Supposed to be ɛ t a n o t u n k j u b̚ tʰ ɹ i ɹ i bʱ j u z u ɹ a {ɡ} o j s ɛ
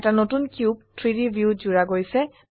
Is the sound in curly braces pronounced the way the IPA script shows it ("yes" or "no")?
yes